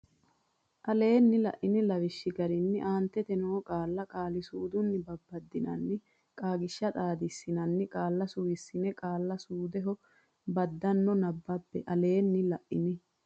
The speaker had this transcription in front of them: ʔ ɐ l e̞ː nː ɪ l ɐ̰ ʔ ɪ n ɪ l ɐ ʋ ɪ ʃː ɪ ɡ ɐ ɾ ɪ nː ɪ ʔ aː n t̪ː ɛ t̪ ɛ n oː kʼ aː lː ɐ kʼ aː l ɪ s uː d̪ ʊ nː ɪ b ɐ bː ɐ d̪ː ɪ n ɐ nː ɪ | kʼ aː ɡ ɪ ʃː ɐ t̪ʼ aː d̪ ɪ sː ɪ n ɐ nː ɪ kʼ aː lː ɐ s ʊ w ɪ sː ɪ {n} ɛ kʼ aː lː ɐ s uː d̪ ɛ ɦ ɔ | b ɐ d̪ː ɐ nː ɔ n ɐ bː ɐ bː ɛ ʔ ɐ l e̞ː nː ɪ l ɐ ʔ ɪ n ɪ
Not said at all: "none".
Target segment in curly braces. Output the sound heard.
n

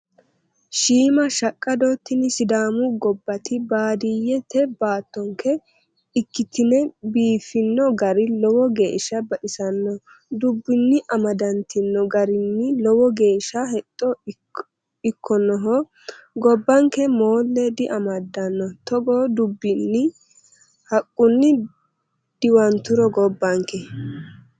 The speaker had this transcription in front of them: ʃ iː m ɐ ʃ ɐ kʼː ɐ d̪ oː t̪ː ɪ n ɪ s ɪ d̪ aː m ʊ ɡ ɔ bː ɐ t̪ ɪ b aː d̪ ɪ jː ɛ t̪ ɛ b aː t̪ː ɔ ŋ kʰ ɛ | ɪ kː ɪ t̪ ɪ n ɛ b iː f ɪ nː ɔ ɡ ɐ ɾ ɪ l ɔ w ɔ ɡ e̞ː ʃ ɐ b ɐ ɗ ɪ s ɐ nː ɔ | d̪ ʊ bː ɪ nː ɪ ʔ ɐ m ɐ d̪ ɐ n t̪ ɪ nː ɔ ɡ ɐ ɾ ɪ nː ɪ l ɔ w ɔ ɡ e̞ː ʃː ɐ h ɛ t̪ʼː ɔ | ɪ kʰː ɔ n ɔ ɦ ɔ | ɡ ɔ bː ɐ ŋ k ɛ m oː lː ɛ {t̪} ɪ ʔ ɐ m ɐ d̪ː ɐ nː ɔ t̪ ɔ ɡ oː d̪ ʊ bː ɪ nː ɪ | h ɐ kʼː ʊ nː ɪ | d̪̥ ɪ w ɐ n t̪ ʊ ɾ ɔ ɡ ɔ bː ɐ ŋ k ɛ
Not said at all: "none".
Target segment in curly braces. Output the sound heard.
d̪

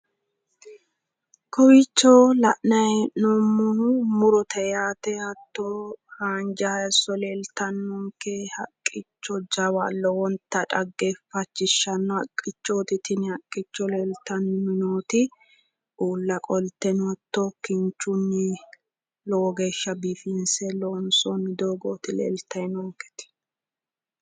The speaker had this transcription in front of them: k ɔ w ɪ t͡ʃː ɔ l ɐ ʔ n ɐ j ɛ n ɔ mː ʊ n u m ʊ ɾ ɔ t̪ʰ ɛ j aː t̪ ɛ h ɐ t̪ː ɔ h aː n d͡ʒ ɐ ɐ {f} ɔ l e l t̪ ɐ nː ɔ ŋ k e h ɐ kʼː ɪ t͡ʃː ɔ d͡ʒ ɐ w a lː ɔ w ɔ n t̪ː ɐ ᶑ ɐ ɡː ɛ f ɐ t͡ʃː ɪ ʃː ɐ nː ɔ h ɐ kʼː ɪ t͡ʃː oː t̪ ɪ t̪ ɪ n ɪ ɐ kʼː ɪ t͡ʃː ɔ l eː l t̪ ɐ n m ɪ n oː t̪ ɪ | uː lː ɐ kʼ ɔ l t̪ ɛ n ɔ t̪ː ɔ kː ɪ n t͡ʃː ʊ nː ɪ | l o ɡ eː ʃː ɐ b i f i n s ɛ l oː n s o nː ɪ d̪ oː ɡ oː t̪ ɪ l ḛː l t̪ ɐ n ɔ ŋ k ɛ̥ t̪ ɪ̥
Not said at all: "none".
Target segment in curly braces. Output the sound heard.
s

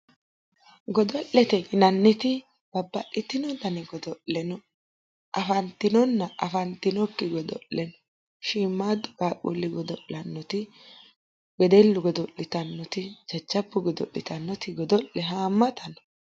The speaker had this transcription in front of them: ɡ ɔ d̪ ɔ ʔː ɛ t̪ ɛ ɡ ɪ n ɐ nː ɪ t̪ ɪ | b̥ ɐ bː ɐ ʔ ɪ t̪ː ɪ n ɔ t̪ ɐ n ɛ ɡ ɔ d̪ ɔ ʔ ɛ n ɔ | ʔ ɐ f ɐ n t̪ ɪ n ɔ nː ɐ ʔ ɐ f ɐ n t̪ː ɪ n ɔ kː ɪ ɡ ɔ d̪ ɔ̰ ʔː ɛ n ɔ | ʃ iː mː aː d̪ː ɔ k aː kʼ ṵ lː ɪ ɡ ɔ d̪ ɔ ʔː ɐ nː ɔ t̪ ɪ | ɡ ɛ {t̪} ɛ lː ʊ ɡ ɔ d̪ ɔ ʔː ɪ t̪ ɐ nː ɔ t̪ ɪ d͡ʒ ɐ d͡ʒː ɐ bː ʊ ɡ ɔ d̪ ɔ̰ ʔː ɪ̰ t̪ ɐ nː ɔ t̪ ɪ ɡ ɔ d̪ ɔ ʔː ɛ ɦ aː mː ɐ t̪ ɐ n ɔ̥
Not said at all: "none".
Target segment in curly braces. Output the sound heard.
d̪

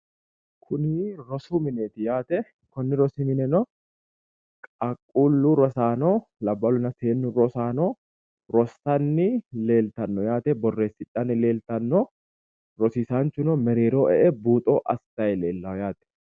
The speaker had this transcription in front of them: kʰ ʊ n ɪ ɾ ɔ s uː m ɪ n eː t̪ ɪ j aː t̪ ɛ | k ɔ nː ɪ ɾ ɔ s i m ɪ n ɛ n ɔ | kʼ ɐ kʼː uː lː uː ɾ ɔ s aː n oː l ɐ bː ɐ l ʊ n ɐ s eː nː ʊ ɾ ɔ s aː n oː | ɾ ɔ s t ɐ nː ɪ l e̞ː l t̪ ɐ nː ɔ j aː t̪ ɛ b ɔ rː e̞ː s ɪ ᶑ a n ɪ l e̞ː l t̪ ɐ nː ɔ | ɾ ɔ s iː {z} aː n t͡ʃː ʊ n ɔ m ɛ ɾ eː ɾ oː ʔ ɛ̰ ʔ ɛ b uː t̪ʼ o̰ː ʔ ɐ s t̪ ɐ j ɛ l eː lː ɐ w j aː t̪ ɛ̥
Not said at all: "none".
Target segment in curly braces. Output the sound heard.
s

